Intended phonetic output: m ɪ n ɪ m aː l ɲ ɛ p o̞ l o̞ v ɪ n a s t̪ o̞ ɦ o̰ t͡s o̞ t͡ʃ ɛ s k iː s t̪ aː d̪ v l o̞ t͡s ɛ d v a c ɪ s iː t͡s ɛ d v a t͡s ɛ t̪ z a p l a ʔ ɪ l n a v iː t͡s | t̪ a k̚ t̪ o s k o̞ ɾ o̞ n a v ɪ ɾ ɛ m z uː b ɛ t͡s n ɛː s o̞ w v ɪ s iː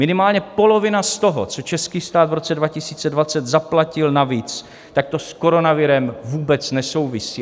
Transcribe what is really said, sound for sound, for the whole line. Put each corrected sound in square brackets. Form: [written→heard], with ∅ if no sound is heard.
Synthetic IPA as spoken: m ɪ n ɪ m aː l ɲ ɛ p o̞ l o̞ v ɪ n a s t̪ o̞ ɦ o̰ t͡s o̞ t͡ʃ ɛ s k iː s t̪ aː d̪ v [l→ɾ] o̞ t͡s ɛ d v a c ɪ s iː t͡s ɛ d v a t͡s ɛ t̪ z a p l a [ʔ→c] ɪ l n a v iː t͡s | t̪ a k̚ t̪ o s k o̞ ɾ o̞ n a v ɪ ɾ ɛ m [z→v] uː b ɛ t͡s n [ɛː→ɛ] s o̞ w v ɪ s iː